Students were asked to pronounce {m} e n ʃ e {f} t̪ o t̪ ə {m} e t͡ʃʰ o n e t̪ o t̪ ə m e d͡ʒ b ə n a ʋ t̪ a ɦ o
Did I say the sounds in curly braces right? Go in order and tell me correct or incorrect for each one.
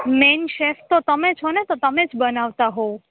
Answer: correct, correct, correct

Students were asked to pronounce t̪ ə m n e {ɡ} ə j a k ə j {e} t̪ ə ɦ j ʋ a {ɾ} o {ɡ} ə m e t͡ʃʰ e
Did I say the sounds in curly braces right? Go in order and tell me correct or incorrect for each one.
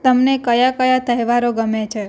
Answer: incorrect: k, incorrect: a, correct, correct

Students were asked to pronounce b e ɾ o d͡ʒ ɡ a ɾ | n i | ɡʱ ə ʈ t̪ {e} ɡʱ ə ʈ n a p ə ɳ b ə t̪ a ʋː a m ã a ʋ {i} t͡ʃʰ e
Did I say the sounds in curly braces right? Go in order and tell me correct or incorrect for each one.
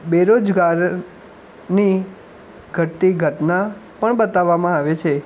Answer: incorrect: i, incorrect: e

